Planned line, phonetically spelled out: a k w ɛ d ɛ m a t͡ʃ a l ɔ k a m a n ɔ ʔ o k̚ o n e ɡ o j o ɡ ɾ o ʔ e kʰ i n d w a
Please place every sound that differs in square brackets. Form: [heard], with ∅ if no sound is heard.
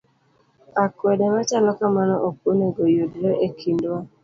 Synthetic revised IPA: a k w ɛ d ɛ m a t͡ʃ a l ɔ k a m a n ɔ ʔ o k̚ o n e ɡ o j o [d] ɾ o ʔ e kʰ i n d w a